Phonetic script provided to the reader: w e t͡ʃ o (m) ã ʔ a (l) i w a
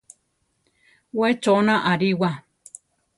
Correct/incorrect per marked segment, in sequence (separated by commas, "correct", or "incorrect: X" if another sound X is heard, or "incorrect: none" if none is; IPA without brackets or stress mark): incorrect: n, incorrect: ɾ